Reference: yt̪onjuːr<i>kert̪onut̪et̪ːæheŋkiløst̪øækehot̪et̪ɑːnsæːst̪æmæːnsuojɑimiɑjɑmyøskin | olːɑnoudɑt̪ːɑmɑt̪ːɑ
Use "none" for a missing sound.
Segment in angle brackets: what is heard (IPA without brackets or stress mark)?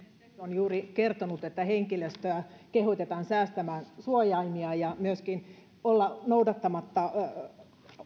i